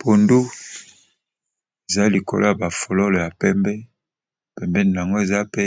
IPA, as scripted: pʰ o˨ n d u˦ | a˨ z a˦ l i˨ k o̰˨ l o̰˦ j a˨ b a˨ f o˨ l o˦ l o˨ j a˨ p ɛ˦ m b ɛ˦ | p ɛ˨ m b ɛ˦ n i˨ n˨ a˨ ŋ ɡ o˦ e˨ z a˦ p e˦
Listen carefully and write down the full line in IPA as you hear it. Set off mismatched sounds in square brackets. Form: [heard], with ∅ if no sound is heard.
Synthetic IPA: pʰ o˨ n d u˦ | [e˨] z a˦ l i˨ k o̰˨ l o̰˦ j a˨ b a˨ f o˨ l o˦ l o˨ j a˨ p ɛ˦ m b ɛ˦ | p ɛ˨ m b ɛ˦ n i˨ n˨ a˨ ŋ ɡ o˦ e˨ z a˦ p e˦